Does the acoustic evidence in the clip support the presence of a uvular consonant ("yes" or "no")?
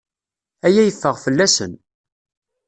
yes